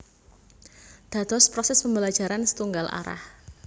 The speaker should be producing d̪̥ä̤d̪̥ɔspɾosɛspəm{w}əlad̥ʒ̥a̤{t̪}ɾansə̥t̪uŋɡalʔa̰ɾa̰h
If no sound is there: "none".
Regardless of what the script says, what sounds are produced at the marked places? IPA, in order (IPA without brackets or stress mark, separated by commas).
b, none